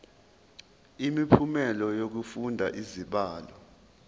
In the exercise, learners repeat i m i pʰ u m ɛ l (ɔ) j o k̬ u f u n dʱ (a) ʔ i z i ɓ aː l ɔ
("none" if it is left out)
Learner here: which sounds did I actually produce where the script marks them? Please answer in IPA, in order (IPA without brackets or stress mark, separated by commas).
ɔ, a